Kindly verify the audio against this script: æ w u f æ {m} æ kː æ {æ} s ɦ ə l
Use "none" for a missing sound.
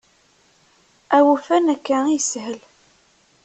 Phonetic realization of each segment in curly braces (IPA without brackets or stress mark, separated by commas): n, i